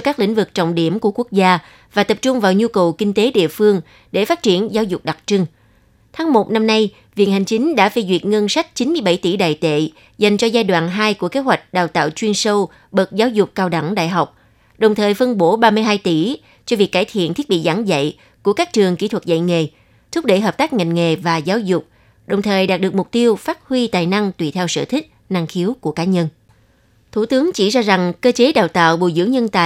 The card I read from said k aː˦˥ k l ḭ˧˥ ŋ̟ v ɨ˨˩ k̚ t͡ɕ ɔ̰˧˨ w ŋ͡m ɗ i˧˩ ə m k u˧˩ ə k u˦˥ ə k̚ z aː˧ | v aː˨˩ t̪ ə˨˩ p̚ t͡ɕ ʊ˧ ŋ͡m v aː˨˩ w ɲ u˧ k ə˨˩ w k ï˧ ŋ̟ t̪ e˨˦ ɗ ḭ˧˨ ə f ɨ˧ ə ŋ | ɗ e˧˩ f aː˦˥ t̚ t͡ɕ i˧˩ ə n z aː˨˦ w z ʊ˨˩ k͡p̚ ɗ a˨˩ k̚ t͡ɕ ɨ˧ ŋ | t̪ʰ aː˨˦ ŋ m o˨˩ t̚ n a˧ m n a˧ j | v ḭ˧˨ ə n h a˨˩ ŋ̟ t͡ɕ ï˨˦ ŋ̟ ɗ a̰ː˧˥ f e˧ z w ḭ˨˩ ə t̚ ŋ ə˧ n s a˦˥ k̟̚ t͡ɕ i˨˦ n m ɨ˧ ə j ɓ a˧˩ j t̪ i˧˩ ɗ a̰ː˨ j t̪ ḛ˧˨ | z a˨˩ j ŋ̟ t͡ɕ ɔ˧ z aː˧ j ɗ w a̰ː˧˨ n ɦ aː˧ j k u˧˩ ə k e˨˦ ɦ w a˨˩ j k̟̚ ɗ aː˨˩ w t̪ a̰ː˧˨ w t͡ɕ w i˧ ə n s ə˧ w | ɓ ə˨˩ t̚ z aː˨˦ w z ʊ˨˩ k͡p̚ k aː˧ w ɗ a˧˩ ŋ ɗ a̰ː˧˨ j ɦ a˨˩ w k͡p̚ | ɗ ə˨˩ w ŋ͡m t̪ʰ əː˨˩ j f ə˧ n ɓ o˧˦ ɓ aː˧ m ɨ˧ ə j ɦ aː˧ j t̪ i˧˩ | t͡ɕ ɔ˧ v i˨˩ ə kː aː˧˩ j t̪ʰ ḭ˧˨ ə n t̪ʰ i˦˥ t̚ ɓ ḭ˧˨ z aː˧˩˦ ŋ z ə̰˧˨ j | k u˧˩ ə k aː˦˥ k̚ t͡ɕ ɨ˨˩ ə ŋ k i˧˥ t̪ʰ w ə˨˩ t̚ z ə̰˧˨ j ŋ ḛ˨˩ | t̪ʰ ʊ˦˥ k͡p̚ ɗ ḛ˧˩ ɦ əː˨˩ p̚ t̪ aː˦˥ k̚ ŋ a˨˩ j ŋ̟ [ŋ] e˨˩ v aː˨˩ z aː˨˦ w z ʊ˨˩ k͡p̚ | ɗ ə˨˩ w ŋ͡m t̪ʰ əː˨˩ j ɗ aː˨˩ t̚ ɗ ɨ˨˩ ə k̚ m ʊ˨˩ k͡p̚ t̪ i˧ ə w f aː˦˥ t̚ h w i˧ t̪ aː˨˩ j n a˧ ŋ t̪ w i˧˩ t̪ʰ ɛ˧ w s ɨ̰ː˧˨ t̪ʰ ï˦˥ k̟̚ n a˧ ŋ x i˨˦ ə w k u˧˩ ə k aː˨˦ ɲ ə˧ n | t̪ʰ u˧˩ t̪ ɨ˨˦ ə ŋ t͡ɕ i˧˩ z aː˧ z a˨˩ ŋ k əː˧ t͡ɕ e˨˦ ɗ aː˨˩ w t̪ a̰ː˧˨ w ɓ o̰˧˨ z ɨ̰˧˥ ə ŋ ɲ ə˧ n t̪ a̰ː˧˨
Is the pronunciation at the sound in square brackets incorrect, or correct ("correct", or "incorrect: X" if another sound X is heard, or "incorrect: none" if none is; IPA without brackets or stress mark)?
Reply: correct